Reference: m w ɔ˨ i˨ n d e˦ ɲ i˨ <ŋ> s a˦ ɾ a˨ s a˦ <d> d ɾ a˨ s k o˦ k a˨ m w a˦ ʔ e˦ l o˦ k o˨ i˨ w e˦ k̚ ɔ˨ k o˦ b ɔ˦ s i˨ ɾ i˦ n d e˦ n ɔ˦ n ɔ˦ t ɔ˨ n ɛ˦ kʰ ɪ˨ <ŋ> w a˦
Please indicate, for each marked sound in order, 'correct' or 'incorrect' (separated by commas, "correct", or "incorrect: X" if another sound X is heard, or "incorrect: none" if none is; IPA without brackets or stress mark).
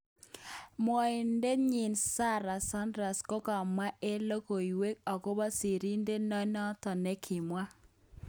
incorrect: n, incorrect: n, incorrect: m